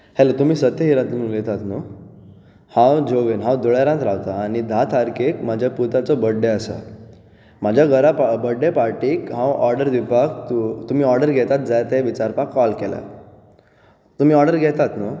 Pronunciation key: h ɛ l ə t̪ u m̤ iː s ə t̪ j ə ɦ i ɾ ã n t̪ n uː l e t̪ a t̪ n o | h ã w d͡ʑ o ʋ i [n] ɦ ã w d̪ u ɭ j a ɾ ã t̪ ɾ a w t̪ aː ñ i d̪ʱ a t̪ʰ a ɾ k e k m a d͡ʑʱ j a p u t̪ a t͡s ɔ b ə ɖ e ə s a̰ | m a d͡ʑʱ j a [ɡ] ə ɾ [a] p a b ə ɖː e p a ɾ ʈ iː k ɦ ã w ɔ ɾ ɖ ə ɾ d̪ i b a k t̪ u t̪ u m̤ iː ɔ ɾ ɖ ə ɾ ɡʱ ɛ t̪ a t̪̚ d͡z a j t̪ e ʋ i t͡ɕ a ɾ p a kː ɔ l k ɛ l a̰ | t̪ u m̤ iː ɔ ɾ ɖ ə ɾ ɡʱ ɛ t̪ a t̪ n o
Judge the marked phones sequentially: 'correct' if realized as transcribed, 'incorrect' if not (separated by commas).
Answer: correct, correct, correct